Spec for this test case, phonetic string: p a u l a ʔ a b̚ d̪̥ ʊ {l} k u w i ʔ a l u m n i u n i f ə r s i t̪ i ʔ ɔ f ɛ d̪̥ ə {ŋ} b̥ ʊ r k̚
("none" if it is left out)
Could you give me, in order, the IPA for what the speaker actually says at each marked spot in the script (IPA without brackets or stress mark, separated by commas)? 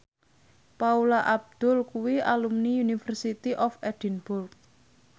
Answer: l, n